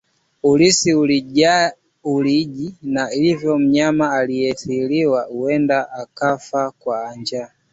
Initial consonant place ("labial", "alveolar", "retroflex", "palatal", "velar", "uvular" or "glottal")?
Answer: alveolar